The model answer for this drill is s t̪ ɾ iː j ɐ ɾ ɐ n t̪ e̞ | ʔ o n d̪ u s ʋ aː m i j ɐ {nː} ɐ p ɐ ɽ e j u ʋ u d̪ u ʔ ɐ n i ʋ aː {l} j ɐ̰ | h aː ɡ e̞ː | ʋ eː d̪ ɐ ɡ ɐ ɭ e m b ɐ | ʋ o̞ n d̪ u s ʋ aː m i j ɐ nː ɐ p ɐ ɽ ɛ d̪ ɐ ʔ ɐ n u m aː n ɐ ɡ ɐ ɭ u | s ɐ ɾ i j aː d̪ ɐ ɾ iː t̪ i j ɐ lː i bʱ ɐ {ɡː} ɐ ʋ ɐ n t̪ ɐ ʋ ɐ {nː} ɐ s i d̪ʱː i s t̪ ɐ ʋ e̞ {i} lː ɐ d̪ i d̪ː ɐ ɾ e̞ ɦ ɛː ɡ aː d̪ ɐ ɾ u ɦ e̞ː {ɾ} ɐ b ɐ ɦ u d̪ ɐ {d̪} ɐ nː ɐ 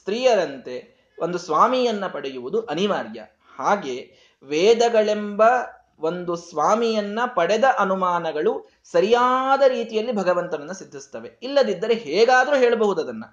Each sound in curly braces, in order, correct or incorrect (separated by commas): correct, incorrect, incorrect, correct, correct, incorrect, correct